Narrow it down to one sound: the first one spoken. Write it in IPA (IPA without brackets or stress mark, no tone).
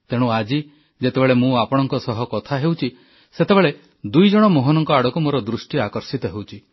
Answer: t̪